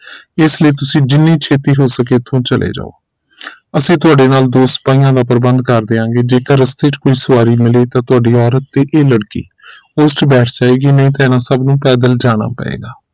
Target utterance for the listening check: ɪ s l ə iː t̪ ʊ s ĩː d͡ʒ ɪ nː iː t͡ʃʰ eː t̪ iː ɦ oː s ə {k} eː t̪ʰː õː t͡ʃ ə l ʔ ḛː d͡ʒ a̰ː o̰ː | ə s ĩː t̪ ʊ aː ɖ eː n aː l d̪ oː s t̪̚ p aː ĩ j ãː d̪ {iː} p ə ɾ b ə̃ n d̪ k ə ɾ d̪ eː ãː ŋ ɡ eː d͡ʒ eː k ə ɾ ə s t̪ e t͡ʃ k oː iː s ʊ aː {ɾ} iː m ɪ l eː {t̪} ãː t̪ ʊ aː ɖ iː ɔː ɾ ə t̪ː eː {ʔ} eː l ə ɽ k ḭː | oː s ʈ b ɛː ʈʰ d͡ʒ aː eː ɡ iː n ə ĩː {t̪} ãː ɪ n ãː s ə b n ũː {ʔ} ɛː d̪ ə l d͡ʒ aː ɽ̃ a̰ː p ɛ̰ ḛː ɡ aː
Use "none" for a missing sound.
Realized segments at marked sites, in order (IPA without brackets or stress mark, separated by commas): k, aː, ɾ, t̪, ʔ, t̪, p